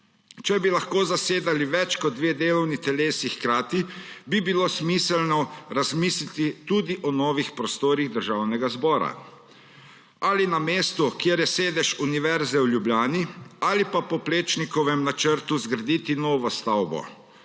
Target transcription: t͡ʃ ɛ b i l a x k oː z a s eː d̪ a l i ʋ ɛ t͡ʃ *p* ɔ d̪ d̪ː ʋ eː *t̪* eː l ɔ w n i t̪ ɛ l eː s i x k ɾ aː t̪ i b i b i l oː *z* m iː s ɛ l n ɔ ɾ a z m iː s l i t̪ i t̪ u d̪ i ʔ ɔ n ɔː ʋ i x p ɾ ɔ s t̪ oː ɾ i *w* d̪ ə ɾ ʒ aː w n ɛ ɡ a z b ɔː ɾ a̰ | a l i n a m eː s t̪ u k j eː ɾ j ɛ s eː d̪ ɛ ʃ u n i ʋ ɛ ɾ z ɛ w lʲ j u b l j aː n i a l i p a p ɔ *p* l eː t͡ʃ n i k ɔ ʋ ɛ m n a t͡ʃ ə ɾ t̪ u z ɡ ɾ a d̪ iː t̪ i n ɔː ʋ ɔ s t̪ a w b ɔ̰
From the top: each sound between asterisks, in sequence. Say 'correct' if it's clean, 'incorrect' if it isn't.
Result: incorrect: k, incorrect: d̪, incorrect: s, incorrect: ɣ, correct

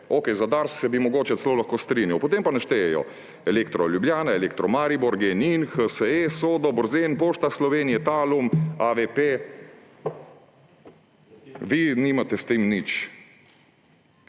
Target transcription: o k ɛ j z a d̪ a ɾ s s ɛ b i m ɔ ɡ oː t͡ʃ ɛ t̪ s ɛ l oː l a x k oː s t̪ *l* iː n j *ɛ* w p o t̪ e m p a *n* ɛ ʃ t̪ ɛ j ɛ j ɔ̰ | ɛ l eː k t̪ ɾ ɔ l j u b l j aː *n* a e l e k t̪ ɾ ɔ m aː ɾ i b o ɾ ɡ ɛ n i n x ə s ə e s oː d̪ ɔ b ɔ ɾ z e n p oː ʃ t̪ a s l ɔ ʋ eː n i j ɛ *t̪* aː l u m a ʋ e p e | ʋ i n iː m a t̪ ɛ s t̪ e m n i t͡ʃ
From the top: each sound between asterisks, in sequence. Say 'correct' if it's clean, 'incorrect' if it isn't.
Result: incorrect: ɾ, incorrect: a, correct, correct, correct

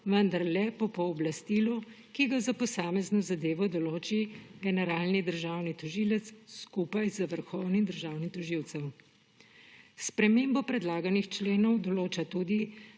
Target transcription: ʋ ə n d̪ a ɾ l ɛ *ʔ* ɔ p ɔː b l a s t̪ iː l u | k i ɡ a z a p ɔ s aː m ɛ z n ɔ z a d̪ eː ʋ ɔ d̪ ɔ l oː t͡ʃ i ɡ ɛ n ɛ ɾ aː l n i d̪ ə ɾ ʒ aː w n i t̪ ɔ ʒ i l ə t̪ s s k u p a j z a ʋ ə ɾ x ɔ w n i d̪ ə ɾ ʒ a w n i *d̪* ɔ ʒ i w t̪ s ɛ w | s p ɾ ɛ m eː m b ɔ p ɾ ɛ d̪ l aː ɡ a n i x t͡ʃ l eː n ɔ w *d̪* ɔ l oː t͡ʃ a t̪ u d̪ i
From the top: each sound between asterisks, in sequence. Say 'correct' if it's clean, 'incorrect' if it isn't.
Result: incorrect: p, incorrect: t̪, correct

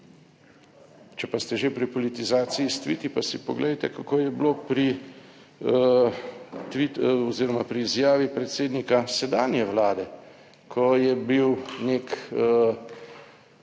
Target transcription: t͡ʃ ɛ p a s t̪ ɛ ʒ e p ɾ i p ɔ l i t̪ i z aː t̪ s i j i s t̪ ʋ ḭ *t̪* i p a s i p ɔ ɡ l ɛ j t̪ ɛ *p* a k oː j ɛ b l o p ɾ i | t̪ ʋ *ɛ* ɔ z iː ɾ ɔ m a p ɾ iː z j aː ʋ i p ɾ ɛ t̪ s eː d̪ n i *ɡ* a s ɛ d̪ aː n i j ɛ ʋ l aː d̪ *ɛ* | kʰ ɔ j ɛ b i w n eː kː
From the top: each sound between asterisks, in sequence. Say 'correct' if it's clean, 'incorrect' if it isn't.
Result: correct, incorrect: k, incorrect: i, incorrect: k, correct

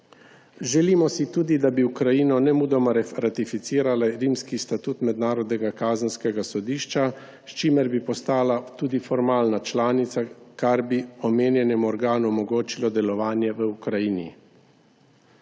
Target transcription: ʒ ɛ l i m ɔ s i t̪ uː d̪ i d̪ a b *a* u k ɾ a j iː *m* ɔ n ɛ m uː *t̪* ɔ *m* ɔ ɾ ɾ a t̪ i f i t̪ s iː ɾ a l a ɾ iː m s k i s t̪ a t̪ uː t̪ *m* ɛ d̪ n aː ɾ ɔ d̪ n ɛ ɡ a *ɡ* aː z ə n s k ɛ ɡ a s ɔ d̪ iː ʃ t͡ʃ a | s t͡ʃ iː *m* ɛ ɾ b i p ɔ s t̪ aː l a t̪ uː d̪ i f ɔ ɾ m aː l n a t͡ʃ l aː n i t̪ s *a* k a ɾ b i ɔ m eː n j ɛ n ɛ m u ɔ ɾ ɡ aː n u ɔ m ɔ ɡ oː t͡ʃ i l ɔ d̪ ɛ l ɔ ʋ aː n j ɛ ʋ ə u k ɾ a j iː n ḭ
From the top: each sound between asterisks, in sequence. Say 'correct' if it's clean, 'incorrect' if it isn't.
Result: incorrect: i, incorrect: n, incorrect: d̪, correct, correct, incorrect: k, correct, correct

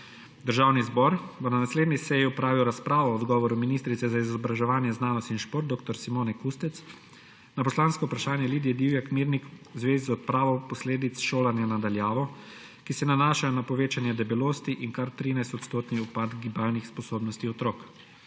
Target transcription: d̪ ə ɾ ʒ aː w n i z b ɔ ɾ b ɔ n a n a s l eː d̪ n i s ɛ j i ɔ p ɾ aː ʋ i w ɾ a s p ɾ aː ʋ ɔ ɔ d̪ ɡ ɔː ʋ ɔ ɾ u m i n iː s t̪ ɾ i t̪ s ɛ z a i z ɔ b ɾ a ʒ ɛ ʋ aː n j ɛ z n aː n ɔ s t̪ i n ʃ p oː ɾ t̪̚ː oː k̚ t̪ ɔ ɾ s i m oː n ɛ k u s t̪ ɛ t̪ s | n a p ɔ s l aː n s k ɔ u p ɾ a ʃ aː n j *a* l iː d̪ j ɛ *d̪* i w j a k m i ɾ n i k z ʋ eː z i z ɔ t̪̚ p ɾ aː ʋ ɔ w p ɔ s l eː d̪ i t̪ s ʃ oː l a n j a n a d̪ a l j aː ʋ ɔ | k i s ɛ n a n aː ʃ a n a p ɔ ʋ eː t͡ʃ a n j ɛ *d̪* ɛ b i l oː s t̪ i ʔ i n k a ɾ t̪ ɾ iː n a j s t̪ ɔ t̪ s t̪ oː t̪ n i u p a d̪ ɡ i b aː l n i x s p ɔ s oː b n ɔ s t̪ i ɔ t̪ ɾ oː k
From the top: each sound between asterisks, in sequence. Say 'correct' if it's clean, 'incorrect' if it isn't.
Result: incorrect: ɛ, correct, correct

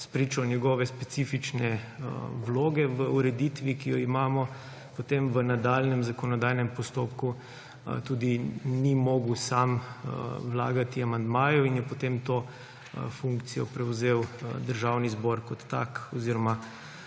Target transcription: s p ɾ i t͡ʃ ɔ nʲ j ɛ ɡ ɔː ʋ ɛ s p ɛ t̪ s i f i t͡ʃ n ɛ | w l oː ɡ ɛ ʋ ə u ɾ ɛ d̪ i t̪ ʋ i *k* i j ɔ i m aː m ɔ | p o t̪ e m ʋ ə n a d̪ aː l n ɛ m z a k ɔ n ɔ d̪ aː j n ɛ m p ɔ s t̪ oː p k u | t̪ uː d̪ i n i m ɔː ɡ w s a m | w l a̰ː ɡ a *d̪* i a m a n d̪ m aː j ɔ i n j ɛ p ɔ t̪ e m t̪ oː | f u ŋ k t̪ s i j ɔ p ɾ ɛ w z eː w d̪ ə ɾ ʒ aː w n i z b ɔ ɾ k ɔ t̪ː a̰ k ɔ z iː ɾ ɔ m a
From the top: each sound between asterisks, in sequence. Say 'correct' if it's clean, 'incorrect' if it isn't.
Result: correct, incorrect: t̪

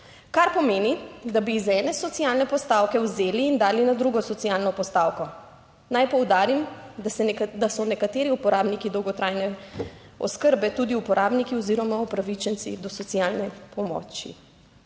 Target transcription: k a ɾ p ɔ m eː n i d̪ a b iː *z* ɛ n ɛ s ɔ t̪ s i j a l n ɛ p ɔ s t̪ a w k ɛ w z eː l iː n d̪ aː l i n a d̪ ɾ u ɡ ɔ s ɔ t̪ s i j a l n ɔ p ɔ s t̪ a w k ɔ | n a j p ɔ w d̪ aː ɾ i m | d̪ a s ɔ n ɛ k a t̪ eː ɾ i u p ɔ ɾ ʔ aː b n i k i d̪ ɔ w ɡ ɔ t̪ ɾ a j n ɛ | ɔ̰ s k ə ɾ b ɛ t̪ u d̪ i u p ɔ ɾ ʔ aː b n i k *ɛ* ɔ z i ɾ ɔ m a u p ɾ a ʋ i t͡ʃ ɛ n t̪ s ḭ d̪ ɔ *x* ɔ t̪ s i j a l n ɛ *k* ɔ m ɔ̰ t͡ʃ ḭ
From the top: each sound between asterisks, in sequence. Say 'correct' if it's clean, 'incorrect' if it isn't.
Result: correct, incorrect: i, incorrect: s, incorrect: p

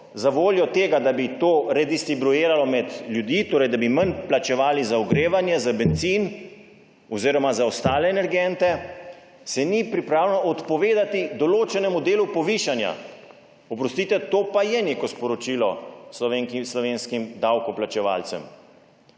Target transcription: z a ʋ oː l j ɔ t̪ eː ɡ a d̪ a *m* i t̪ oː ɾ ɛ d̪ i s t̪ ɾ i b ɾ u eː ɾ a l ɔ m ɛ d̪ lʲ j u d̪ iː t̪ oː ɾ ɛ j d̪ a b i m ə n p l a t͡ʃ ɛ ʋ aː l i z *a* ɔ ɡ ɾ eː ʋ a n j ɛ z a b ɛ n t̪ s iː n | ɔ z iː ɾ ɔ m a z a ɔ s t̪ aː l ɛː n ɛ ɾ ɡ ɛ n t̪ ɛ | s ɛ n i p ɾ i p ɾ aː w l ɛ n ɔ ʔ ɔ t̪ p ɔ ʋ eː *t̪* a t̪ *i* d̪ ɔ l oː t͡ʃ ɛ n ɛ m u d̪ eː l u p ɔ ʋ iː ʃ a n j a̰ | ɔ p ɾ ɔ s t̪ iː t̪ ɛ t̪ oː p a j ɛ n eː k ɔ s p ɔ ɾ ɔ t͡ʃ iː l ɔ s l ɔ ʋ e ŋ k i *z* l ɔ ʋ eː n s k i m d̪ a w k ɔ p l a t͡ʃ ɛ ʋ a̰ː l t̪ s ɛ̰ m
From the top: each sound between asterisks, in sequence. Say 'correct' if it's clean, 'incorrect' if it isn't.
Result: incorrect: b, correct, incorrect: d̪, correct, incorrect: s

